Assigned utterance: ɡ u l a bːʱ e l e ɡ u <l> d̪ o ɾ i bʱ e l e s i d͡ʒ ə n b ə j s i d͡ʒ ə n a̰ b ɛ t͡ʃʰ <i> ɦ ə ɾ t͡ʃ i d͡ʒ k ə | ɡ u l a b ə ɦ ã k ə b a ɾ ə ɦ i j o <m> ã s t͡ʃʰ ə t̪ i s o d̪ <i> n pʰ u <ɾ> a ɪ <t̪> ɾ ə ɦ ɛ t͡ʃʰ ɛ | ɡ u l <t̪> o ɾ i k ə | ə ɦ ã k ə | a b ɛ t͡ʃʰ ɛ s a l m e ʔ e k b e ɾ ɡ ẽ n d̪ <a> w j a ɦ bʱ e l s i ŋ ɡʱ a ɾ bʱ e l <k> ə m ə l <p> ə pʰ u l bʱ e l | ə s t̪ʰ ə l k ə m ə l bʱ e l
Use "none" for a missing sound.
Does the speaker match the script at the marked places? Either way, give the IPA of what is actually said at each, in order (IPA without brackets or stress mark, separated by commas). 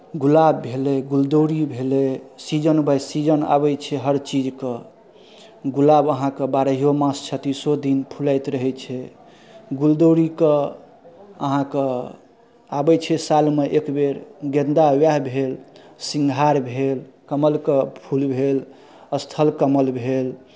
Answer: l, ɛ, m, i, l, t̪, d̪, a, k, k